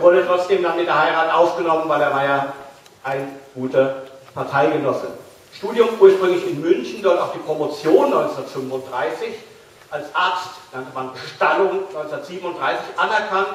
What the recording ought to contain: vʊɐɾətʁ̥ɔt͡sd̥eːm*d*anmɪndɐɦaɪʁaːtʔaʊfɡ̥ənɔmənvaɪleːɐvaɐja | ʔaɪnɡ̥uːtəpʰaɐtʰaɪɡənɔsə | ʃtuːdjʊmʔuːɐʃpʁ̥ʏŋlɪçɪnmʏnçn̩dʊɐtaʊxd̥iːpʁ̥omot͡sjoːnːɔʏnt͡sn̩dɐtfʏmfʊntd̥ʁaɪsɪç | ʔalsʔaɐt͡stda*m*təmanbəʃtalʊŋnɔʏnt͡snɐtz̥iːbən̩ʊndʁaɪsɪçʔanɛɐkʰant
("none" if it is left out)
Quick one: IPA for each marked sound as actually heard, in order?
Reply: d, ŋ

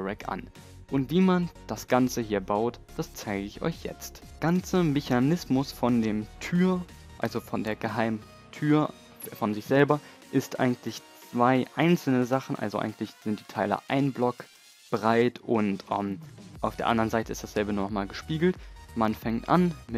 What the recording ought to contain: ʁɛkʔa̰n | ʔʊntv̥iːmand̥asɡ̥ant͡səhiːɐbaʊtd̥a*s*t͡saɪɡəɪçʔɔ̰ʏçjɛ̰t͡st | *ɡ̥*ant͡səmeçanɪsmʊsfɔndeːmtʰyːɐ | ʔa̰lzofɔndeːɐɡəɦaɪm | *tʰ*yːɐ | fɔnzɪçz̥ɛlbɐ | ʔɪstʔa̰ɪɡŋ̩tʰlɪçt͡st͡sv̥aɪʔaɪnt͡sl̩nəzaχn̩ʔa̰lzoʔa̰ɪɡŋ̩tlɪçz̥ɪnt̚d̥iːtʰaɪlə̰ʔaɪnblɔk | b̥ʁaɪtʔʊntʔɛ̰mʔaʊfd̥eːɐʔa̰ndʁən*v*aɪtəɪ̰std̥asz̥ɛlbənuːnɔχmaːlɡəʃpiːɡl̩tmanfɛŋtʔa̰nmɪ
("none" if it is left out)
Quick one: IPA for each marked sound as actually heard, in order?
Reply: s, ɡ̥, tʰ, z

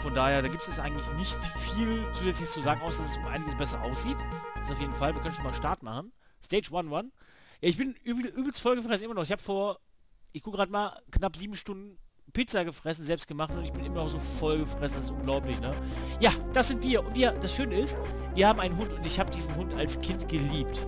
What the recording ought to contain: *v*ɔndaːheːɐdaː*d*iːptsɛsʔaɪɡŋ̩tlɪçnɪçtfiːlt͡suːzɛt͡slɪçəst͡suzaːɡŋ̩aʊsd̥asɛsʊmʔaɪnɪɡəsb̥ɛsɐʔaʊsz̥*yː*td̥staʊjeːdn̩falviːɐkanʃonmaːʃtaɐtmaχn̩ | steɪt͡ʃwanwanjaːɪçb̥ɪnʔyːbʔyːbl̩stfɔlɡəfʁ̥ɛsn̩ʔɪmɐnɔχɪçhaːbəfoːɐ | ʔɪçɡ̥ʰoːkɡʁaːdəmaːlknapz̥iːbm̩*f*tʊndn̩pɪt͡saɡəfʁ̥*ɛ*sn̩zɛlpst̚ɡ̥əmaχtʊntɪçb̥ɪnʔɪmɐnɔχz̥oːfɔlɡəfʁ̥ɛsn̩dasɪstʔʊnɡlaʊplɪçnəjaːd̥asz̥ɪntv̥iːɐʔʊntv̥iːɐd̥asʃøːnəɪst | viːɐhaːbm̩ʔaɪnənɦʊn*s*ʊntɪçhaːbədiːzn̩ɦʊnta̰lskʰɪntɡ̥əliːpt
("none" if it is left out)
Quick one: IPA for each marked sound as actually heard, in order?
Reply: f, ɡ, iː, ʃ, ɛ, t

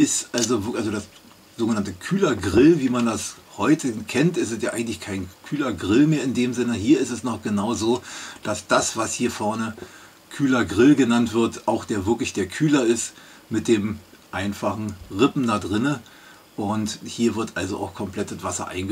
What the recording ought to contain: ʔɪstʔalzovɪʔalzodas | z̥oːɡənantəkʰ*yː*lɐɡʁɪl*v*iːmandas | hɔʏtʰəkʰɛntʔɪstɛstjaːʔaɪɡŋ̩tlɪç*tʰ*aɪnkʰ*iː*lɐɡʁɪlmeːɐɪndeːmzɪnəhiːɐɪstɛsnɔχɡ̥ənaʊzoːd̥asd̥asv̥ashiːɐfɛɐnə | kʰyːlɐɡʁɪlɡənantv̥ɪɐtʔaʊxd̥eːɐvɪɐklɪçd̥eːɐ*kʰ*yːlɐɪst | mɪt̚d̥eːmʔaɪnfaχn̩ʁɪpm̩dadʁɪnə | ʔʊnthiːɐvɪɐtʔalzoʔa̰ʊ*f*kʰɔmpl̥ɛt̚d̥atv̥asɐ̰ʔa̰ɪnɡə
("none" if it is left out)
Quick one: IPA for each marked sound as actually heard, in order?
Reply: yː, v, kʰ, yː, kʰ, x

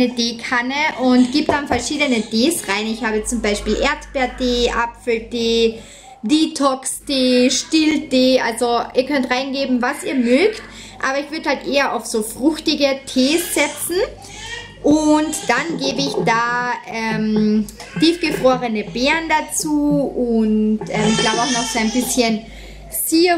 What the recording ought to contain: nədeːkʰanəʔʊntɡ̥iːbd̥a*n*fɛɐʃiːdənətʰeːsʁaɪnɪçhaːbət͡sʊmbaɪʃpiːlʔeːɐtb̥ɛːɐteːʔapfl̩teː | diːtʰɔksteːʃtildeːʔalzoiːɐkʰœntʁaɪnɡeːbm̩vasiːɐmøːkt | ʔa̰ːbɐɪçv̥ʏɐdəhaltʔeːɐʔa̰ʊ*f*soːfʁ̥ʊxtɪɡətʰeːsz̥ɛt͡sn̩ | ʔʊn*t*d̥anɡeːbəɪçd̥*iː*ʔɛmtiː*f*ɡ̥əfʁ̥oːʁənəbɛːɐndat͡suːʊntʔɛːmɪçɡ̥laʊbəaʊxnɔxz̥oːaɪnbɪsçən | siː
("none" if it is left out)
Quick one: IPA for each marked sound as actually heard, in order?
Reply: n, f, t, aː, f

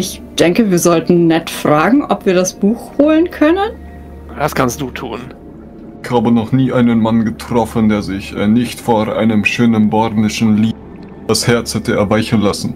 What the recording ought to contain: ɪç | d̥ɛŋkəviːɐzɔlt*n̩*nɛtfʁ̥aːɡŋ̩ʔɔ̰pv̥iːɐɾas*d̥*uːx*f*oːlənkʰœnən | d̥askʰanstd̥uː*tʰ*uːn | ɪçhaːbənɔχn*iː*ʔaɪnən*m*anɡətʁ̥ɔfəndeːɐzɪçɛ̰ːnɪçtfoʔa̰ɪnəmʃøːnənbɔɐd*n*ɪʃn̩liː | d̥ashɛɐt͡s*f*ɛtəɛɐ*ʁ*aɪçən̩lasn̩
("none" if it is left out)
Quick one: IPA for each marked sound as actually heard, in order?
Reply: n̩, b̥, h, tʰ, iː, m, n, h, v

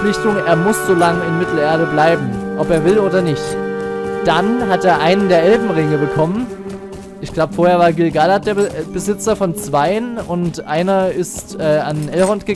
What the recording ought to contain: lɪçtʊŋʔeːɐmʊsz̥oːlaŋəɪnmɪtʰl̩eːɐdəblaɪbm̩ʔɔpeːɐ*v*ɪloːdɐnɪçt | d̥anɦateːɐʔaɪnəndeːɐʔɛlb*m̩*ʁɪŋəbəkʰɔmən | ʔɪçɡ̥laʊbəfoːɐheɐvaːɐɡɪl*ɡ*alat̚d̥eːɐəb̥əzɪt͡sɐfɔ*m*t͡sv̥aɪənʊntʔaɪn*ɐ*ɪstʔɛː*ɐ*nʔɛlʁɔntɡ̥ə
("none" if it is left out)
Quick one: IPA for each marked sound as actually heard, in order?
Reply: v, m̩, ɡ, n, ɐ, a

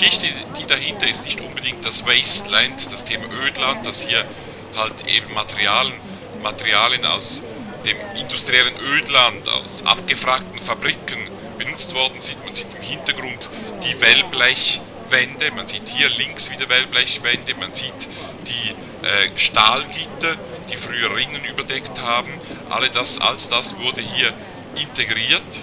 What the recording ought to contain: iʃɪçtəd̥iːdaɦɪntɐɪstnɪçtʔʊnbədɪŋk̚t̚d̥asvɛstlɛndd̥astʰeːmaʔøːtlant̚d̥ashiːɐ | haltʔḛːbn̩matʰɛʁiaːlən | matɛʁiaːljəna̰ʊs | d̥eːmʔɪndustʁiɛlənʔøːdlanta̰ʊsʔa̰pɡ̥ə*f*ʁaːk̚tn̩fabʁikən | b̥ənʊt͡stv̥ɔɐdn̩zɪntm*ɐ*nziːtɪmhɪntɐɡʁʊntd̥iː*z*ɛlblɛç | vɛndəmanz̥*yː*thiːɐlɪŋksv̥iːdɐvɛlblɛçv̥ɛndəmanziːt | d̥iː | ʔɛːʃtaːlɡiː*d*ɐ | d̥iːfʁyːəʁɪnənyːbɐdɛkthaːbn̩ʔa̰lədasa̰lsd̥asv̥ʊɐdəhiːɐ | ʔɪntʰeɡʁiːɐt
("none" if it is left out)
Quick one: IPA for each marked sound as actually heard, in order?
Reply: f, a, v, iː, t

